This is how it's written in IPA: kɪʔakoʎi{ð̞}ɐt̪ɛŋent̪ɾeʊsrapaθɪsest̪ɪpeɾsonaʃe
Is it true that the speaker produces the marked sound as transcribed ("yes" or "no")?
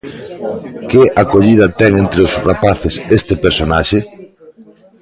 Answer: yes